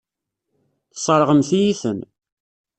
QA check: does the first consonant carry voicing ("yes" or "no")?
no